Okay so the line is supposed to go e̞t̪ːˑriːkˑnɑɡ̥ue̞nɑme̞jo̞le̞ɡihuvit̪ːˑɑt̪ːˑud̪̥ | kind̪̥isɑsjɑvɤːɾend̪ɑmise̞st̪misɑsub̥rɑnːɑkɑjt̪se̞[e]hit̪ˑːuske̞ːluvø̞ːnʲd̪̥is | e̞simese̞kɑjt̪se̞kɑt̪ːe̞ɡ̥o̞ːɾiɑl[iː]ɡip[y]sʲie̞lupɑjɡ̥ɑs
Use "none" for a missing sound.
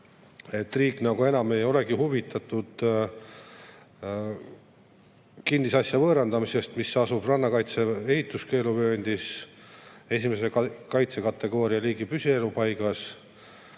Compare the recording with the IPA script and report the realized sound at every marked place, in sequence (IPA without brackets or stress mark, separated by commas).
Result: e, iː, y